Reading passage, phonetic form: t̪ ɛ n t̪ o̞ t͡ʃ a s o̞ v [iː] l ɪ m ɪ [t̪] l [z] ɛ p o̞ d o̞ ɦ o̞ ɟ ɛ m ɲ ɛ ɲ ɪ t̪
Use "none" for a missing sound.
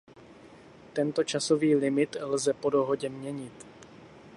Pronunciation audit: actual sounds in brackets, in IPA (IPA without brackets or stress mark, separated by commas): iː, t̪, z